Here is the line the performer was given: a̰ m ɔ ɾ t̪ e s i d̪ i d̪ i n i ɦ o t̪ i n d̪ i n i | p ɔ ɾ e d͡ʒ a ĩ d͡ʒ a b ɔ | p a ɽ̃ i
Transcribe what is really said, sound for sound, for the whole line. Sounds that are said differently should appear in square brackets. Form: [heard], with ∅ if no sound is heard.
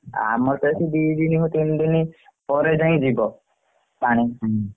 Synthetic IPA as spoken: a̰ m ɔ ɾ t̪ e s i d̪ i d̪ i n i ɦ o t̪ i n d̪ i n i | p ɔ ɾ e d͡ʒ a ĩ d͡ʒ [i] b ɔ | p a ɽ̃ i